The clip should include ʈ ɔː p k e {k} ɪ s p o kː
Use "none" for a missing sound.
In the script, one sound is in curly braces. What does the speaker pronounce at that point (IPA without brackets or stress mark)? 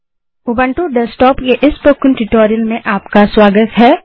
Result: ʔ